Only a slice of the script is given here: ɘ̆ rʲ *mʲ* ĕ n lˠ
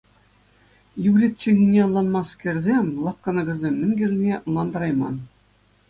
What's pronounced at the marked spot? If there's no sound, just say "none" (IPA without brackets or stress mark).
nʲ